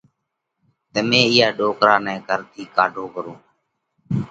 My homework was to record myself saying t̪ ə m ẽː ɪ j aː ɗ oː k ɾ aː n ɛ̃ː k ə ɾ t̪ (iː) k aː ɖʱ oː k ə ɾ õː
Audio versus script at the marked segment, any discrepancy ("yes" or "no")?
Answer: no